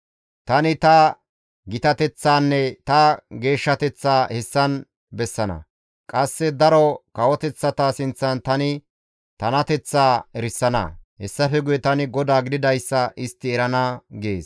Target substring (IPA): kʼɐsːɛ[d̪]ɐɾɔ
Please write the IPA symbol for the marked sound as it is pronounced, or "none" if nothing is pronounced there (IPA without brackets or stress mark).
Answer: d̪